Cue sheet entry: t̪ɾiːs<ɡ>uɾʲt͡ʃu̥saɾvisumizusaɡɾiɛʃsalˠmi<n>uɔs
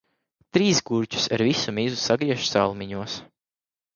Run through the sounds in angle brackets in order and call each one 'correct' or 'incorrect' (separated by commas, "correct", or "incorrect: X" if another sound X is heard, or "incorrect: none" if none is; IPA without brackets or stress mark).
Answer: correct, incorrect: ɲ